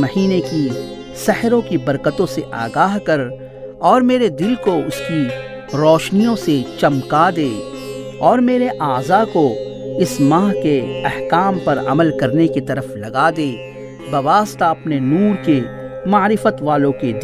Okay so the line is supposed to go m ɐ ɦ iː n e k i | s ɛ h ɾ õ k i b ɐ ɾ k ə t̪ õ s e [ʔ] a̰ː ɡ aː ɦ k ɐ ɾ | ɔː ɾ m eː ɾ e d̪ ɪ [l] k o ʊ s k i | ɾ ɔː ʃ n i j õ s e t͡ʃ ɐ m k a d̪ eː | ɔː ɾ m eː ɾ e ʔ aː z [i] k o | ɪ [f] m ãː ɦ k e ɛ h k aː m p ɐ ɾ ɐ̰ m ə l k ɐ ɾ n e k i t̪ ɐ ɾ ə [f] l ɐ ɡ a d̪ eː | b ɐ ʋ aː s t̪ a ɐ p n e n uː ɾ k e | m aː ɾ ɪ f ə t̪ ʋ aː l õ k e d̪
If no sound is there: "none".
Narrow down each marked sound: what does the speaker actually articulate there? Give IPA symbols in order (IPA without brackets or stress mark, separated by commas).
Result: ʔ, l, a, s, f